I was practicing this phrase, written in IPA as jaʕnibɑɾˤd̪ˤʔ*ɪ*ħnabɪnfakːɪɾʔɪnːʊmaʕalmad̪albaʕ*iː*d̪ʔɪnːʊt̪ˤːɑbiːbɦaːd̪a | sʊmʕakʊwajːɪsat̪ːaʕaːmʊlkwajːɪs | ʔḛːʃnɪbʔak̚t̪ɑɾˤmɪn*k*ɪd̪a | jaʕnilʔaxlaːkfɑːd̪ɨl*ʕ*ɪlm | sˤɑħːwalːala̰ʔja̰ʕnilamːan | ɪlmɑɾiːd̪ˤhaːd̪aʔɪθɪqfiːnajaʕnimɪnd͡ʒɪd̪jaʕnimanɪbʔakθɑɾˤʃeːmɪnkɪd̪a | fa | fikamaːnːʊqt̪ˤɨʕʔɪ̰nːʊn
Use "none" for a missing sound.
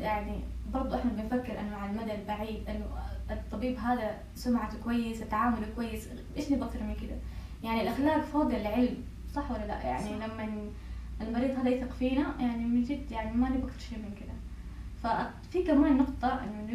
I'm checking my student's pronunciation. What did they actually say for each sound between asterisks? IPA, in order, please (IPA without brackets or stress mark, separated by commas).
ɪ, iː, k, ʕ